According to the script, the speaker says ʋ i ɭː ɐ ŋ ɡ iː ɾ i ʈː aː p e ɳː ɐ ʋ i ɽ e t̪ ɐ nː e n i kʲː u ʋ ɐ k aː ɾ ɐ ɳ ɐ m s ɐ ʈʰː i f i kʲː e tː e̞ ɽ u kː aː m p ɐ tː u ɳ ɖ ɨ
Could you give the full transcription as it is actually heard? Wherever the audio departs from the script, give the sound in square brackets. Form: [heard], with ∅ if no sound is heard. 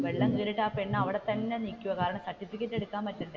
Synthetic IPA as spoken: ʋ [e] ɭː ɐ ŋ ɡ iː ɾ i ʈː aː p e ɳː ɐ ʋ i ɽ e t̪ ɐ nː e n i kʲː u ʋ ɐ k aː ɾ ɐ ɳ ɐ m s ɐ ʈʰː i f i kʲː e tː e̞ ɽ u kː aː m p ɐ tː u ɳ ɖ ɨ